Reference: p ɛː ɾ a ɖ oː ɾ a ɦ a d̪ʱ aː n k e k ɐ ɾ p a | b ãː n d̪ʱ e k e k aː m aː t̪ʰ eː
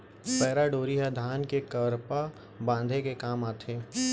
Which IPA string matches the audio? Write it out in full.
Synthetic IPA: p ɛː ɾ a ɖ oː ɾ i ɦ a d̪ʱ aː n k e k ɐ ɾ p a | b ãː n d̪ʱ e k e k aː m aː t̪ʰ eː

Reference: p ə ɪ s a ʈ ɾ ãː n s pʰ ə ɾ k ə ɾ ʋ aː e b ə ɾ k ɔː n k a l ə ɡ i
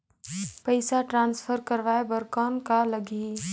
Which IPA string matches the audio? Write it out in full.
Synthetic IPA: p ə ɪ s a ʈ ɾ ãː n s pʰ ə ɾ k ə ɾ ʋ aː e b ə ɾ k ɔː n k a l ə ɡ i

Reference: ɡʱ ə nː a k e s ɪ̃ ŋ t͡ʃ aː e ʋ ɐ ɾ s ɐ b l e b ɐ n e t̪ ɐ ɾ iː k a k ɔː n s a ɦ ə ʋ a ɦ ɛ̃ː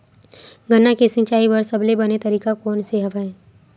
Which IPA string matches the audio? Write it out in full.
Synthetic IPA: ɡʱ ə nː a k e s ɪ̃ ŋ t͡ʃ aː i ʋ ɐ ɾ s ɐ b l e b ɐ n e t̪ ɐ ɾ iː k a k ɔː n s e ɦ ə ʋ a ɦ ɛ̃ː

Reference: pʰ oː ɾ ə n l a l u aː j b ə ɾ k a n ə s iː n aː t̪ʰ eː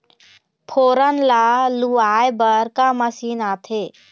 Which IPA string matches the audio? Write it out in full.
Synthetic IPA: pʰ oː ɾ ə n l a l u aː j b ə ɾ k a m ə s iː n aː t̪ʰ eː

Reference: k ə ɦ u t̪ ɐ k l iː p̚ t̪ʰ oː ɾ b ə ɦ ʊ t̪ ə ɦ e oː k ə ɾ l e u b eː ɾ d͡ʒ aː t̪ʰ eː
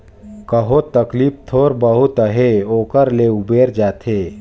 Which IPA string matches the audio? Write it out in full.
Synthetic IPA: k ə ɦ o t̪ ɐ k l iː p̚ t̪ʰ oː ɾ b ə ɦ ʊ t̪ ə ɦ e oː k ə ɾ l e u b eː ɾ d͡ʒ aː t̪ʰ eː

